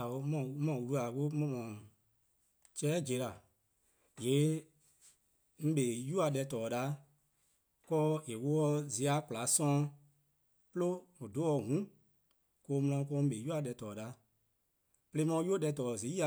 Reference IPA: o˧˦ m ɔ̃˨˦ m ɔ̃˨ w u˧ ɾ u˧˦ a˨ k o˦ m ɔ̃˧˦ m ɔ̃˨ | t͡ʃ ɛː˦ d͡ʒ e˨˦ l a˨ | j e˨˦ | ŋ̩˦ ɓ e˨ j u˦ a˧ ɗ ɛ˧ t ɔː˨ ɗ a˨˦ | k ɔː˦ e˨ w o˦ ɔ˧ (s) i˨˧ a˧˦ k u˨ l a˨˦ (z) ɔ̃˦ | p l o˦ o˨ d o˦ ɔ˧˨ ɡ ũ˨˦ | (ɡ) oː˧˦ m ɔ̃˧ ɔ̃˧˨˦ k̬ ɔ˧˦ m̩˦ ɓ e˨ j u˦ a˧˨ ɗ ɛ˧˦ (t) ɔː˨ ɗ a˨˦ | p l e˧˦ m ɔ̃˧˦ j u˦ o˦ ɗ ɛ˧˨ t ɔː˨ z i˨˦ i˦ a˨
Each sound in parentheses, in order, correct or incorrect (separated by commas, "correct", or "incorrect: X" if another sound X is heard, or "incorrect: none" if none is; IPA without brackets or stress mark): incorrect: z, incorrect: s, incorrect: k, correct